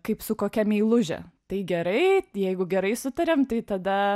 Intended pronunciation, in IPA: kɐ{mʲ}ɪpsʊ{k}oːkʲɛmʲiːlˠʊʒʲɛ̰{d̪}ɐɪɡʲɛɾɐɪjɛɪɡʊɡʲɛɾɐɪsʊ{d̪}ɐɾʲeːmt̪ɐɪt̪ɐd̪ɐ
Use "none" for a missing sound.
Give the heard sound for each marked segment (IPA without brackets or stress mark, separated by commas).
none, k, t̪, t̪